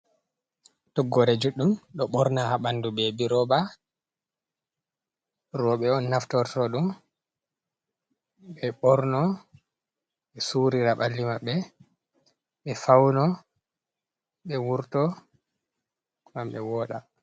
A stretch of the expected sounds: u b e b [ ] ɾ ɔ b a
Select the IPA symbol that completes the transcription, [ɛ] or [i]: i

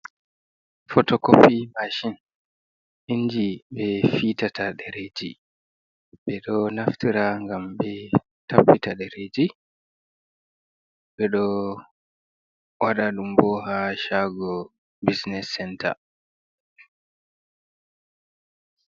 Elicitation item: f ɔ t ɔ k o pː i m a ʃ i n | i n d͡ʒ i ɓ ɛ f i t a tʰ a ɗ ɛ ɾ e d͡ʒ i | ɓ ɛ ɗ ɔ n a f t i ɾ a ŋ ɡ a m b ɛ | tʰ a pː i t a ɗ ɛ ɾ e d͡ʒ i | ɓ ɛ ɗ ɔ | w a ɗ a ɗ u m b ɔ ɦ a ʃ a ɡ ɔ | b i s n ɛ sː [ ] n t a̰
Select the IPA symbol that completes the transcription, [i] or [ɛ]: ɛ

